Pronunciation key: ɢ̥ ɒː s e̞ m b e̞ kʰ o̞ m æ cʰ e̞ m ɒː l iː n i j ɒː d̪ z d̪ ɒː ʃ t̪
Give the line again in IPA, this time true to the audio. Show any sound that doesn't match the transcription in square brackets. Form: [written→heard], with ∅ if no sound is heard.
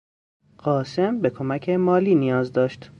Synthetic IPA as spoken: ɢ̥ ɒː s e̞ m b e̞ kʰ o̞ m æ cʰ e̞ m ɒː l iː n i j ɒː [d̪→∅] z d̪ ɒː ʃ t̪